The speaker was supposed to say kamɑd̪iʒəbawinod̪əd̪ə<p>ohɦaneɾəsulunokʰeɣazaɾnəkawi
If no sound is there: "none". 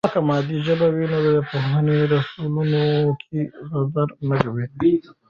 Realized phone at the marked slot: p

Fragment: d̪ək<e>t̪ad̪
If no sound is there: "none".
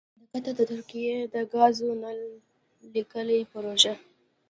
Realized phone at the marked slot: a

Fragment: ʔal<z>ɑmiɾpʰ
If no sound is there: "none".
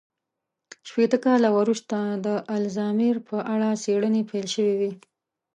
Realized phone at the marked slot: z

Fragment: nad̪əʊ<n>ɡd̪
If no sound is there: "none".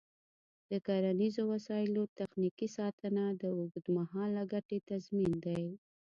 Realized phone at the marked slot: none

